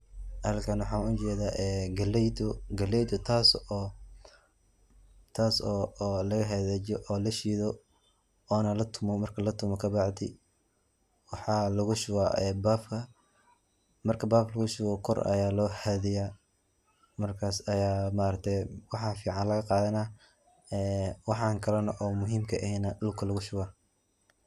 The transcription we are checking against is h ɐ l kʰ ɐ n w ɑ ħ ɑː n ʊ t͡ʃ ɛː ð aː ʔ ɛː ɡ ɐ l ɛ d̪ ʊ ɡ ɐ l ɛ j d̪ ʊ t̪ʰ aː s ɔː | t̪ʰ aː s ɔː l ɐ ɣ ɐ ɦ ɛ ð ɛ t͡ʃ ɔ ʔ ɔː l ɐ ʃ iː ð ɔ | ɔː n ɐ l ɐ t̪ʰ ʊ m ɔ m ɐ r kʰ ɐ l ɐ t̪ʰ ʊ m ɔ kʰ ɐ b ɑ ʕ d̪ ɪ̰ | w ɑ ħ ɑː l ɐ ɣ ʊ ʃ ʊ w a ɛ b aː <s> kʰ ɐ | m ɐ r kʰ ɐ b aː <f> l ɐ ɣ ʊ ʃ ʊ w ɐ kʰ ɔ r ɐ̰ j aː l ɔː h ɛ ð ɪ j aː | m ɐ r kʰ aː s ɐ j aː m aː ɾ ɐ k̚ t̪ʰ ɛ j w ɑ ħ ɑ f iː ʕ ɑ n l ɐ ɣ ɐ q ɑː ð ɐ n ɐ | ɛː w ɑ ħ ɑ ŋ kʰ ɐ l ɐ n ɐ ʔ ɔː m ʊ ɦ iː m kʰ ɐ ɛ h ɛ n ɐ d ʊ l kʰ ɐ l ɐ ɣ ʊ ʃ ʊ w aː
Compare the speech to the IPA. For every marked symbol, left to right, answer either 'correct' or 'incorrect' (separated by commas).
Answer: incorrect, correct